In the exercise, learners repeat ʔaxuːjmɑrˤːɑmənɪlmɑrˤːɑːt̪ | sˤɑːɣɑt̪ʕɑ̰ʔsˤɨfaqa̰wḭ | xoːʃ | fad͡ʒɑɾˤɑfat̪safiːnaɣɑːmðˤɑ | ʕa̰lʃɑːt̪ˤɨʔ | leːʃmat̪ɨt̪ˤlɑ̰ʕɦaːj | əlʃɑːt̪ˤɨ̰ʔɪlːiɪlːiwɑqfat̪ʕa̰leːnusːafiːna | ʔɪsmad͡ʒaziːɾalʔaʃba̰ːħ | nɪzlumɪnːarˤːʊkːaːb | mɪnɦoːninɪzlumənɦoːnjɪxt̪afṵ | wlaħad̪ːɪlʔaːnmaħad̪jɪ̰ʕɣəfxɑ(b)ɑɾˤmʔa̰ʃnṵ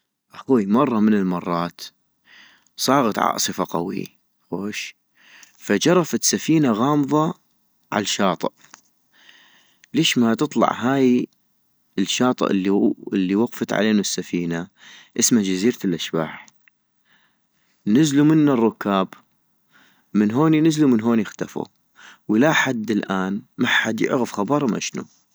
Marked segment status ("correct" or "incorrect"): correct